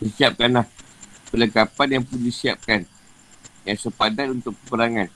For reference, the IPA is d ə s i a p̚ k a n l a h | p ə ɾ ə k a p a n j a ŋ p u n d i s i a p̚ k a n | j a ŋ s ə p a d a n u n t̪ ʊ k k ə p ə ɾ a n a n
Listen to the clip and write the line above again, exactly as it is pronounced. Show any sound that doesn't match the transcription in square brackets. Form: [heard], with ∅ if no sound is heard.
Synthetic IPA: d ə s i a p̚ k a n l a h | p ə [l] ə k a p a n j a ŋ p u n d i s i a p̚ k a n | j a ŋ s ə p a d a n u n t̪ ʊ k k ə p ə ɾ a [ŋ] a n